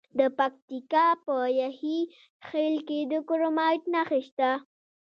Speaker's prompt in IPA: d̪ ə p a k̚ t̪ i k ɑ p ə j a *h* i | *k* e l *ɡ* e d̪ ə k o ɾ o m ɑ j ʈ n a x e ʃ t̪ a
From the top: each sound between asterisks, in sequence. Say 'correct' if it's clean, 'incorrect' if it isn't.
correct, incorrect: x, incorrect: k

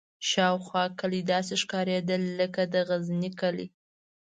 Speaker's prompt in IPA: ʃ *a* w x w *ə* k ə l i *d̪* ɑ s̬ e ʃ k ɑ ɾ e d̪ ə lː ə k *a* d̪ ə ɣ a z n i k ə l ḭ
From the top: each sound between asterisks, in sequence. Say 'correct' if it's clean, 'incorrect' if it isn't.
incorrect: ɑ, incorrect: ɑ, correct, correct

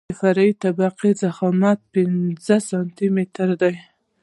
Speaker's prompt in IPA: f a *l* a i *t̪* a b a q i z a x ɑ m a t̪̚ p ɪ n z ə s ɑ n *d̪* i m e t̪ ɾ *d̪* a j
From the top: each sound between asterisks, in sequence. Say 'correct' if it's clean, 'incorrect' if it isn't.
incorrect: ɾ, correct, incorrect: t̪, correct

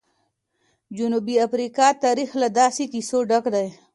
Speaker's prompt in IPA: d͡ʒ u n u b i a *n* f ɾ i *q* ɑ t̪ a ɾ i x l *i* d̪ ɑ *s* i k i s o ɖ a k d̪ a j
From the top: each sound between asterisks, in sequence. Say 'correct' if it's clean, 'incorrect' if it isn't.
incorrect: none, incorrect: k, incorrect: a, correct

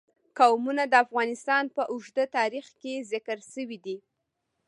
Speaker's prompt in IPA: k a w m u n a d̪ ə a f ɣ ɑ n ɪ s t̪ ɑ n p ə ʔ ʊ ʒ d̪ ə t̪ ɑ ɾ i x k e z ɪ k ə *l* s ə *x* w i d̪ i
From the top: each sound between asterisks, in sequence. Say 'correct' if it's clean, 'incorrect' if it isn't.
incorrect: ɾ, incorrect: none

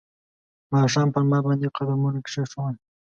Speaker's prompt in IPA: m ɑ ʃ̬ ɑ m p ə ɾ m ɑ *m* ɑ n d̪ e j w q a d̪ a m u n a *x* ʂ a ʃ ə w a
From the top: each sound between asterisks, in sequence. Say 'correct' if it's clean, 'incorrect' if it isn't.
incorrect: b, incorrect: k

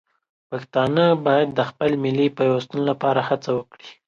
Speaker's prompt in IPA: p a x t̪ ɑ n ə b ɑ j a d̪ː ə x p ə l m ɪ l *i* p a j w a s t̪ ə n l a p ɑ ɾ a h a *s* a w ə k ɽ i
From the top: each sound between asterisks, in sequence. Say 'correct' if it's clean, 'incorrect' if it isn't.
correct, incorrect: t͡s

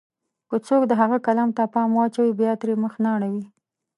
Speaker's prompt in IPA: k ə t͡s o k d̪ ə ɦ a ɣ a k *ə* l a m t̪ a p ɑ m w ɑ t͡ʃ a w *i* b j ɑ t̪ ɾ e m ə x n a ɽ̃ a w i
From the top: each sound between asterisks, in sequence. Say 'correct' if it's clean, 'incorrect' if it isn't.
incorrect: a, correct

